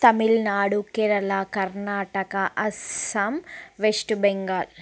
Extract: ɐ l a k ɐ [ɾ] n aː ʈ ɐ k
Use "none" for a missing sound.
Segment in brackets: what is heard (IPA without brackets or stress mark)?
ɾ